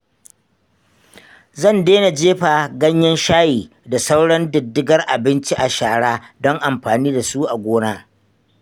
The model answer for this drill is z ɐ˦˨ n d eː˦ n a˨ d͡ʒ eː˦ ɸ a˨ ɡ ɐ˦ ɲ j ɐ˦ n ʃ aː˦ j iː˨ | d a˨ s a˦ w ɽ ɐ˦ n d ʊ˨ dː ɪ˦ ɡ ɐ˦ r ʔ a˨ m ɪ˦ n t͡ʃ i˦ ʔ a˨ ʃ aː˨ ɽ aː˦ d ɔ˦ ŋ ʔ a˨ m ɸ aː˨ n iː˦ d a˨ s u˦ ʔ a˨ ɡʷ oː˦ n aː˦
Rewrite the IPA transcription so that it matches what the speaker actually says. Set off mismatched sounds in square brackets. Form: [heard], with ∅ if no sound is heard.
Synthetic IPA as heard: z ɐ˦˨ n d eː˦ n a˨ d͡ʒ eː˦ ɸ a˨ ɡ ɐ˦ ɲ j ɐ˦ n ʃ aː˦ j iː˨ | d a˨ s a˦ w ɽ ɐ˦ n d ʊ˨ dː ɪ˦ ɡ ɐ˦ r ʔ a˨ [b] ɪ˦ n t͡ʃ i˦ ʔ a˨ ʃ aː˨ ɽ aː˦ d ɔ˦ ŋ ʔ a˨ m ɸ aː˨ n iː˦ d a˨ s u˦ ʔ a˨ ɡʷ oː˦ n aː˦

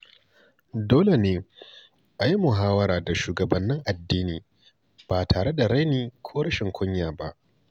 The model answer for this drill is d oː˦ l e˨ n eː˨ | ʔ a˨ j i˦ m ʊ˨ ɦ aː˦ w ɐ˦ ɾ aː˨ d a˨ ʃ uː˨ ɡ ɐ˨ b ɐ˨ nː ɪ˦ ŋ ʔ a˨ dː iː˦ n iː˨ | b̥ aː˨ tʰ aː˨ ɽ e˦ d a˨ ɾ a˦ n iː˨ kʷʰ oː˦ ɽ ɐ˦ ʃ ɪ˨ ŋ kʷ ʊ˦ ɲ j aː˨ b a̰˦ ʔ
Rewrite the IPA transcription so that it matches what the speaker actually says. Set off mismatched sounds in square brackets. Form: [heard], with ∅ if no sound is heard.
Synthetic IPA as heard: d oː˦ l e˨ n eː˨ | ʔ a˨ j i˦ m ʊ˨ ɦ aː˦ w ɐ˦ ɾ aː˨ d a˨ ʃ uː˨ ɡ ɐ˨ b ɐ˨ nː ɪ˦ ŋ ʔ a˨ dː iː˦ n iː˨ | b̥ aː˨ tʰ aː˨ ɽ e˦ d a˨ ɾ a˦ n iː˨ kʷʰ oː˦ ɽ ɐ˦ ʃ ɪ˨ ŋ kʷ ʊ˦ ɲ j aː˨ b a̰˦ ʔ

